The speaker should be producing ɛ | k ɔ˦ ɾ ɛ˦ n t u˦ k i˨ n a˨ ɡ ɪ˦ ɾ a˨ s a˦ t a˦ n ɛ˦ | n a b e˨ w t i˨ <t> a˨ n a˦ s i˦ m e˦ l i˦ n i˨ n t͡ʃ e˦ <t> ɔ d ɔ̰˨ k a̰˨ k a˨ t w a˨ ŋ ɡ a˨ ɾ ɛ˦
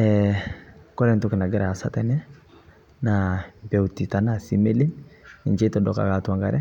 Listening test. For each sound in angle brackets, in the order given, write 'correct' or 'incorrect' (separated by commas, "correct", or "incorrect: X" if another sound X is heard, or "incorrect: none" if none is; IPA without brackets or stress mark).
correct, correct